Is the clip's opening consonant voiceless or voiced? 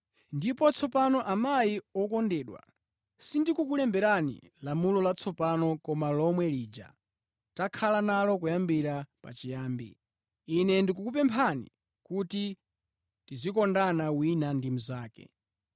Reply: voiced